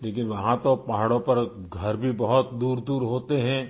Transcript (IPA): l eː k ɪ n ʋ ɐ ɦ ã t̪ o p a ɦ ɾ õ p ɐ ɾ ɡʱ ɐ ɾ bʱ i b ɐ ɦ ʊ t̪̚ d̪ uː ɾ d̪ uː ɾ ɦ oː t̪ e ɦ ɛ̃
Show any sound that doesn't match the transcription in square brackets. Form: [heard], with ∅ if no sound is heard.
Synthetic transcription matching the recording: l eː k ɪ n ʋ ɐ ɦ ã t̪ o p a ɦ [ɽ] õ p ɐ ɾ ɡʱ ɐ ɾ bʱ i b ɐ ɦ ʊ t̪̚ d̪ uː ɾ d̪ uː ɾ ɦ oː t̪ e ɦ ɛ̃